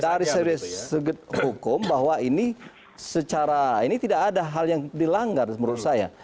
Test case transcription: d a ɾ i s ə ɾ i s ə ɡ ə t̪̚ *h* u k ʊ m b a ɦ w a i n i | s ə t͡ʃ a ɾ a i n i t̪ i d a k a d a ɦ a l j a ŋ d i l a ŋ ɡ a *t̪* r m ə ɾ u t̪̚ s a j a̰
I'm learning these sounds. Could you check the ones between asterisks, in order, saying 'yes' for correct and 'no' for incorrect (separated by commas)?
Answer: yes, no